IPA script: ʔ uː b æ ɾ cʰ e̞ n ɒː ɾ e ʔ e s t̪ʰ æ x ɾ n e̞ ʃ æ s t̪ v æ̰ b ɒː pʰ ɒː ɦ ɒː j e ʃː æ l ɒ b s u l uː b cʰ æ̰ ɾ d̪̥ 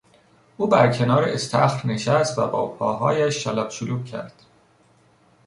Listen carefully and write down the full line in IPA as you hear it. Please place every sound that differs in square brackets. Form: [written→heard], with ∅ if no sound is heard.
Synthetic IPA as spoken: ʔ uː b æ ɾ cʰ e̞ n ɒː ɾ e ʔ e s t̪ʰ æ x ɾ n e̞ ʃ æ s t̪ v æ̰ b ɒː pʰ ɒː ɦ ɒː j [e→æ] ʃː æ l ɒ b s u l uː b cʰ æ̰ ɾ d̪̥